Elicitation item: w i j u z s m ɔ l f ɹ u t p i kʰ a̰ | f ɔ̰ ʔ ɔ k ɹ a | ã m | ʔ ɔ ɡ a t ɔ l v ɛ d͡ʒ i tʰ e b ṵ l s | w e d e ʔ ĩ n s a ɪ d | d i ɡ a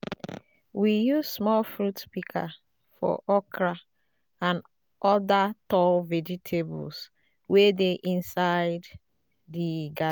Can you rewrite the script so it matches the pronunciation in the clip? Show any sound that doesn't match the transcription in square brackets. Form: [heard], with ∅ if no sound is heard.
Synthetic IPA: w i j u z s m ɔ l f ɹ u t p i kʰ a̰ | f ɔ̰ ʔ ɔ k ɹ a | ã [n] | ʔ ɔ [d] a t ɔ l v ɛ d͡ʒ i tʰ e b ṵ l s | w e d e ʔ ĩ n s a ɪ d | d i ɡ a